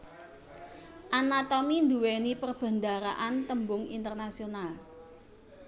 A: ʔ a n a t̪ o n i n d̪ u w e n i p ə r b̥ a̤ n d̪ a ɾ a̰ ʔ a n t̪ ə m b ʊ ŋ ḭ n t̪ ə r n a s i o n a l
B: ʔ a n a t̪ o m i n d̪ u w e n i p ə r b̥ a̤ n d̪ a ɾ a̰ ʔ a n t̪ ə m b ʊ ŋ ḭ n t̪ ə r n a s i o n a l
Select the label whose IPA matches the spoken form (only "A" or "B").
B